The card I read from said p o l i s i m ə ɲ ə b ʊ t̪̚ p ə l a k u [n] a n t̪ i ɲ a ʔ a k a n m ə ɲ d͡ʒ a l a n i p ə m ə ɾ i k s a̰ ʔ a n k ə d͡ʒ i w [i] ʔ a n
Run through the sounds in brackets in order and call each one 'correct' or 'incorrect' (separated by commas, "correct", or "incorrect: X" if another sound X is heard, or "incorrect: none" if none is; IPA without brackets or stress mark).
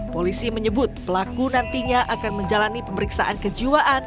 correct, incorrect: a